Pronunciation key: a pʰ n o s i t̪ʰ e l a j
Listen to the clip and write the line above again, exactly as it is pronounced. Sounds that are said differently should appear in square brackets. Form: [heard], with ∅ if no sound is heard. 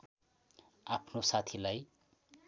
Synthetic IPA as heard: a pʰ n o s [a] t̪ʰ [i] l a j